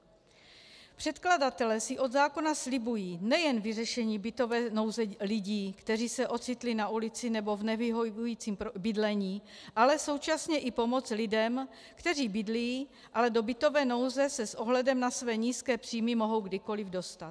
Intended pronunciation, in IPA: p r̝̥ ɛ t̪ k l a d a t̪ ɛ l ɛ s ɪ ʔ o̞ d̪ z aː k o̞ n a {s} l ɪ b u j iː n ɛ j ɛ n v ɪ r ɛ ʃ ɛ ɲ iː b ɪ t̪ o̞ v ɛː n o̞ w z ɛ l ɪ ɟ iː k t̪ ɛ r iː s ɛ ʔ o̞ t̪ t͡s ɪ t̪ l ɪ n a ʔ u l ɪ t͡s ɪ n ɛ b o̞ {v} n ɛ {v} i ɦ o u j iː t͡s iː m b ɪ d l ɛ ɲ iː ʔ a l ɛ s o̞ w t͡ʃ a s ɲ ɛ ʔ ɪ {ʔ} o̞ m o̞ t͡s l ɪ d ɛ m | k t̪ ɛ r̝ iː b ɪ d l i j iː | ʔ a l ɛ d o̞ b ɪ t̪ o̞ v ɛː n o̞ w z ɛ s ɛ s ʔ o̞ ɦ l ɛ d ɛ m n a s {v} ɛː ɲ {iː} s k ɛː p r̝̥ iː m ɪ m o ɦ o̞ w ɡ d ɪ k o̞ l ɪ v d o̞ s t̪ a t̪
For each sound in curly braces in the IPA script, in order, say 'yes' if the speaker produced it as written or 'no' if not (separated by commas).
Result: yes, yes, yes, no, yes, yes